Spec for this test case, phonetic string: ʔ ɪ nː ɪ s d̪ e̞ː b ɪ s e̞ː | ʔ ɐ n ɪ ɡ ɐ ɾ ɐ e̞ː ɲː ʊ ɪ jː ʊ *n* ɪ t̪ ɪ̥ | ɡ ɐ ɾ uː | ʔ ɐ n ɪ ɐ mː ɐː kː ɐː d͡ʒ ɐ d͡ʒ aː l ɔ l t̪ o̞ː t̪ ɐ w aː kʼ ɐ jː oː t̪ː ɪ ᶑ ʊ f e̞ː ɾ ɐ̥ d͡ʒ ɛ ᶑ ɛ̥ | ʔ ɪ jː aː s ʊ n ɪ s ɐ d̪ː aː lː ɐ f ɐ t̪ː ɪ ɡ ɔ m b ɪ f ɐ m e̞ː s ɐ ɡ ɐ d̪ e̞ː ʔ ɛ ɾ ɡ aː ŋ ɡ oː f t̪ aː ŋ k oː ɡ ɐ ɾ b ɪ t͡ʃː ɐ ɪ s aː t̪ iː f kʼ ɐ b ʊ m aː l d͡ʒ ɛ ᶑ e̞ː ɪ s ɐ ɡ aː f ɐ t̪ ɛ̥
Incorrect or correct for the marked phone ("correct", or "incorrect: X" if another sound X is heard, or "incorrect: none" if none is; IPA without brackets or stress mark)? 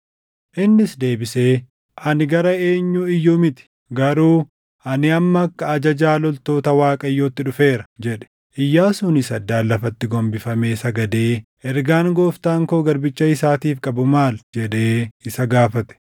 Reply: incorrect: m